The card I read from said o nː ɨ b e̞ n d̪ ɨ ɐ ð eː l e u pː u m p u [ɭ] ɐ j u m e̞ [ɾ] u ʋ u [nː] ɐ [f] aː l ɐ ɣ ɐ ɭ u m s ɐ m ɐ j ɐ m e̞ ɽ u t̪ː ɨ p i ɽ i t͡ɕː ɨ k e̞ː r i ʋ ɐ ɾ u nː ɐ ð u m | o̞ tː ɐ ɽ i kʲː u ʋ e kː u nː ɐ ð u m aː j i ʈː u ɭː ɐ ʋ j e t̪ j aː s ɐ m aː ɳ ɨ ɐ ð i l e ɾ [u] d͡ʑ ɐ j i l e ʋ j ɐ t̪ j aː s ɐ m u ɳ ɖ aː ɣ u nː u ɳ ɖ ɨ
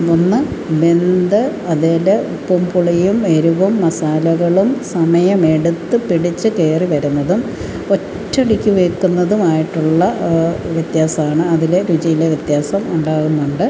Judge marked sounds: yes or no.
yes, yes, no, no, yes

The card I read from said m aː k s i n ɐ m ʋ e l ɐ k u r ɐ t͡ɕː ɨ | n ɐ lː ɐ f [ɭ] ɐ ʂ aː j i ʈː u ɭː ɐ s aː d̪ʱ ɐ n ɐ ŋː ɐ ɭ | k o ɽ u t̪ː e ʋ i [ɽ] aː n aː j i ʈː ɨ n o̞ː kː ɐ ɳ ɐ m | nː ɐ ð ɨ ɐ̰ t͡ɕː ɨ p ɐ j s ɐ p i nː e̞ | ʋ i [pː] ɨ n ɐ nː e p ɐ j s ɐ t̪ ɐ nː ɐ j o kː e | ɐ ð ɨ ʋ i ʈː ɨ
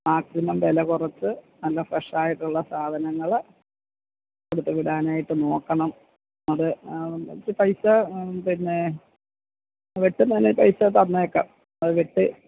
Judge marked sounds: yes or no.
no, yes, no

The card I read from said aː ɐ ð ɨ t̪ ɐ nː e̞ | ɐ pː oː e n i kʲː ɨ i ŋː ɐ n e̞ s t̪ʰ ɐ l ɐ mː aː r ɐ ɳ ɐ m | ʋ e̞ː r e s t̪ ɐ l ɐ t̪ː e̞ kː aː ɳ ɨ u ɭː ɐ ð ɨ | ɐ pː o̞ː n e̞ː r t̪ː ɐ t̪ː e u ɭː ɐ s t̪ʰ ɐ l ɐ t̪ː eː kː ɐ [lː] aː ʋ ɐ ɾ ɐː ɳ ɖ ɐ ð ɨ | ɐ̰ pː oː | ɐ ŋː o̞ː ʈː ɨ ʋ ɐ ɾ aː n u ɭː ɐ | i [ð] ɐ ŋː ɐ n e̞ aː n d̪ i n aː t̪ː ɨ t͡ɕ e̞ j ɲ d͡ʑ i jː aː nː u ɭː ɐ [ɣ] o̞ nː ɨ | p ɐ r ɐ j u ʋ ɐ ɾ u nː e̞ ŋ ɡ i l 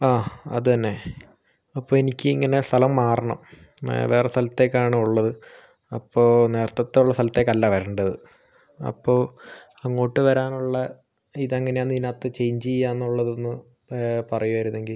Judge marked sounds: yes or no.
yes, yes, no

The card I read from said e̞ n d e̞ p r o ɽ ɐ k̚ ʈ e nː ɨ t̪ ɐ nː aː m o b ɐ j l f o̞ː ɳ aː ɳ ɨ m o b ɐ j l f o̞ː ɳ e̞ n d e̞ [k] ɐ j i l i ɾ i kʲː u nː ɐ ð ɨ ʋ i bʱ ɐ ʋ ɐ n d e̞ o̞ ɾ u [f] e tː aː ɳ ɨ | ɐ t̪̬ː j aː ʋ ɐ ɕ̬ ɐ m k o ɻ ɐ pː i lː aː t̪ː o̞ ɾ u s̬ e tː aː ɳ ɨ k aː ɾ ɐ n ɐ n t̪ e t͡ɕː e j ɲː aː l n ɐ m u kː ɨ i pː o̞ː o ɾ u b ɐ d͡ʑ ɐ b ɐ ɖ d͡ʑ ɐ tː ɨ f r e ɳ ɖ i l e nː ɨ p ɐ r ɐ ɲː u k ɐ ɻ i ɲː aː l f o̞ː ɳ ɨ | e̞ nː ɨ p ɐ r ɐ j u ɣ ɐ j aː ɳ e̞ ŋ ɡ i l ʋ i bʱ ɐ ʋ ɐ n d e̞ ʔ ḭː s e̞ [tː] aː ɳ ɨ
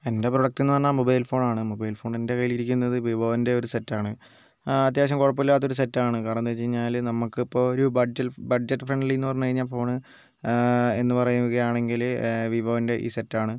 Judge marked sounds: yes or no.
yes, no, yes

